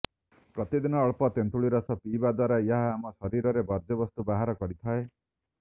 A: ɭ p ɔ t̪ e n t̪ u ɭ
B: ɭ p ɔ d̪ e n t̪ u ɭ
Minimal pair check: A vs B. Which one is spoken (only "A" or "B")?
A